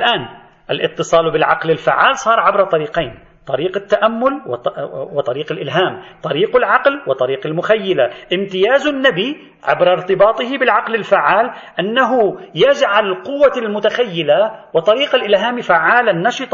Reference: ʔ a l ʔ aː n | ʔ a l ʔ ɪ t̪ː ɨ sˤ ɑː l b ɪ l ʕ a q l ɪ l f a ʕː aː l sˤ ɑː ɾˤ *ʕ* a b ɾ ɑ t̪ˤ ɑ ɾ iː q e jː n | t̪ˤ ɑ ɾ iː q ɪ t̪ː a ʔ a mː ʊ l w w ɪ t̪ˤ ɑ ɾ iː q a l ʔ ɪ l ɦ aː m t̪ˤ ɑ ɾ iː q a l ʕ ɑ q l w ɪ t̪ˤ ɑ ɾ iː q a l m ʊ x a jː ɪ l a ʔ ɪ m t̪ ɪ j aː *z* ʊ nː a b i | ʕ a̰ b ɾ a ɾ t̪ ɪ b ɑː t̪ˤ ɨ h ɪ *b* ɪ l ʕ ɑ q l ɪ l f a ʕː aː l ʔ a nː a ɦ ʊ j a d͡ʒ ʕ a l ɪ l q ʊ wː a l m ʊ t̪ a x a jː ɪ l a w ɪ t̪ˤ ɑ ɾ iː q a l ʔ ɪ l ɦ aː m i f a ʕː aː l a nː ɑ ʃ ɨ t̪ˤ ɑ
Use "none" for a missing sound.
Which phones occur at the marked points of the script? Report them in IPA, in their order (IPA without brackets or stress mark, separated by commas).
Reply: ʕ, z, b